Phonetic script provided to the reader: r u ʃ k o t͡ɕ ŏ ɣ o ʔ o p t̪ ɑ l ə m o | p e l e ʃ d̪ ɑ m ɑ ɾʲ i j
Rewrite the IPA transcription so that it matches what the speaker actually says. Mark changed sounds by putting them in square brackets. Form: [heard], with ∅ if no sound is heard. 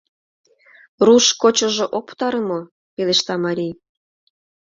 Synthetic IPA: r u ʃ k o t͡ɕ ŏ [ʒ] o ʔ o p t̪ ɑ [ɾ] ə m o | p e l e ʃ [t̪] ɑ m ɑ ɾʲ i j